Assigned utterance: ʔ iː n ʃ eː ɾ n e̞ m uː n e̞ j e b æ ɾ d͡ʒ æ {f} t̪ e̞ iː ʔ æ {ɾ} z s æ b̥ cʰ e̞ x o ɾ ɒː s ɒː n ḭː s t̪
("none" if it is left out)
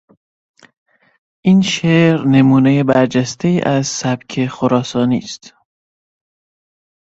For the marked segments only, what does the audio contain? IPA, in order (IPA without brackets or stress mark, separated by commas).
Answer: s, none